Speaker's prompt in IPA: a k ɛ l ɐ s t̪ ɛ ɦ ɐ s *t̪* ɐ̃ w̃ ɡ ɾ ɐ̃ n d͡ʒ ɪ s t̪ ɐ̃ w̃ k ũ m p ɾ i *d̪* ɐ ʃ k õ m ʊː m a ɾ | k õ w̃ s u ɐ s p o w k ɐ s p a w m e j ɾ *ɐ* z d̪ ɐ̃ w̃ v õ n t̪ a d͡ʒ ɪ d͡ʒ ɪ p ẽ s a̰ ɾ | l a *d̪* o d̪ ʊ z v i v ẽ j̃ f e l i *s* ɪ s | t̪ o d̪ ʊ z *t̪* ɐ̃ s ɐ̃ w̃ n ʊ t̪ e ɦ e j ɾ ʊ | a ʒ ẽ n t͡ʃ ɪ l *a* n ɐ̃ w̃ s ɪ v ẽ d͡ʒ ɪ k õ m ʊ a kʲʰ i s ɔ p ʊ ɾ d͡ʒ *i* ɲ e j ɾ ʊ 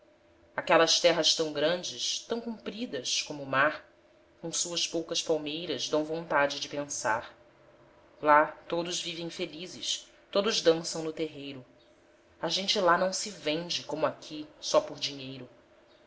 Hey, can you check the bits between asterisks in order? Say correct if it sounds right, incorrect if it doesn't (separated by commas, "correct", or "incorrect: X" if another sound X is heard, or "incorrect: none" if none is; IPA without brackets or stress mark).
correct, correct, correct, incorrect: t̪, incorrect: z, incorrect: d̪, correct, correct